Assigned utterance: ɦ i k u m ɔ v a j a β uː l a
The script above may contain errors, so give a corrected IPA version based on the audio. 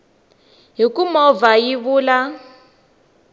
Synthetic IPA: ɦ i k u m ɔ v a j i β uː l a